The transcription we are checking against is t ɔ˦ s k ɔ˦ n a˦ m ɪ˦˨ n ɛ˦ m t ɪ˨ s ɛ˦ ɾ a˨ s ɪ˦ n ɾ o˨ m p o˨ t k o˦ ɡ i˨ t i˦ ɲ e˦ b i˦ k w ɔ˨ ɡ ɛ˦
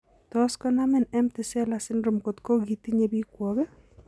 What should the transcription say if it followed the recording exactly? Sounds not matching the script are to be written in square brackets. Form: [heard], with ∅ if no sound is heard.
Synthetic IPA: t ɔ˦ s k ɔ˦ n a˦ m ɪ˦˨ n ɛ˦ m t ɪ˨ s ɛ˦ [l] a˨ s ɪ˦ n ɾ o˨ m [k] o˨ t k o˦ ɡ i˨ t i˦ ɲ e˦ b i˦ k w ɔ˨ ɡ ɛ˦